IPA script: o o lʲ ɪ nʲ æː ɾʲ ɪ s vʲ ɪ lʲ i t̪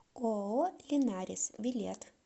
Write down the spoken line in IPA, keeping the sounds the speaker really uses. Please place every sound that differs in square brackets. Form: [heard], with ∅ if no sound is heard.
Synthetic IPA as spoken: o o lʲ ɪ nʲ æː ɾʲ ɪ s [ʋʲ] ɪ lʲ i t̪